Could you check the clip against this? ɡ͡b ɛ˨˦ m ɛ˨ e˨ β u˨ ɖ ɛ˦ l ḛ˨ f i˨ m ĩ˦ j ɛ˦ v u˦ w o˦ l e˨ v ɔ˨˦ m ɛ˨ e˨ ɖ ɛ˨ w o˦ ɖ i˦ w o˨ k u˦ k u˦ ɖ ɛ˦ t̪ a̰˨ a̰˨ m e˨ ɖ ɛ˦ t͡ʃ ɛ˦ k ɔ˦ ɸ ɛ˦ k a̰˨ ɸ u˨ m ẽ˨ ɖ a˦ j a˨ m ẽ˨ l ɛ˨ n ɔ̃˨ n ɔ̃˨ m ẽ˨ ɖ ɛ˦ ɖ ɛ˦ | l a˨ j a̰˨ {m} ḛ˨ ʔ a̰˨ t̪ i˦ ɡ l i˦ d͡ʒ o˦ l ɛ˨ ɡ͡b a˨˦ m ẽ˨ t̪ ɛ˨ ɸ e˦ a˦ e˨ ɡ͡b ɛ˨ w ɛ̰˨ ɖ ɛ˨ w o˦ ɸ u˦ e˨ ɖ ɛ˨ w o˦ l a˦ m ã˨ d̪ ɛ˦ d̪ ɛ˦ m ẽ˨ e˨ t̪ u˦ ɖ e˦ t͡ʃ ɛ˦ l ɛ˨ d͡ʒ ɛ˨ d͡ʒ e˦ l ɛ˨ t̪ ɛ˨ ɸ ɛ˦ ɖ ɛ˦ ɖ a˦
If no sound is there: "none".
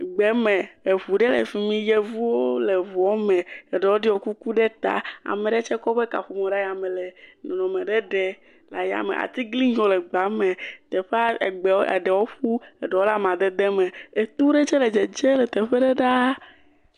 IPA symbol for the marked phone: m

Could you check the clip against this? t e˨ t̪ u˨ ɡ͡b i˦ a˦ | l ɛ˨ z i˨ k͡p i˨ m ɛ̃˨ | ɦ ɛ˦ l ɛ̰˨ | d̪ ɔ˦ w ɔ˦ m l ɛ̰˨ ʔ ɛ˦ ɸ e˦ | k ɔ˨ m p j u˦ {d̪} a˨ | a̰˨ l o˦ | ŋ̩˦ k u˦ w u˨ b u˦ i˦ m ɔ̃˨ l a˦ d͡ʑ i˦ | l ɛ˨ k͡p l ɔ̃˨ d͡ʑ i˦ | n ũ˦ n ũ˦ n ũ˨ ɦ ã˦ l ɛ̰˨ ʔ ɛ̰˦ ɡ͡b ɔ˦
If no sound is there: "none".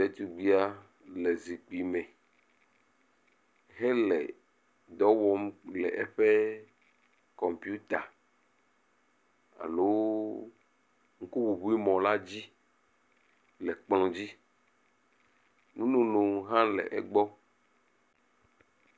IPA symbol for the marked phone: t̪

